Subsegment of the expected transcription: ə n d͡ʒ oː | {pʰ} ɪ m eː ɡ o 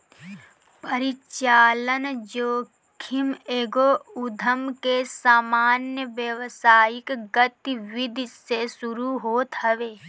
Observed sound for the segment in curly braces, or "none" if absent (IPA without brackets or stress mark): kʰ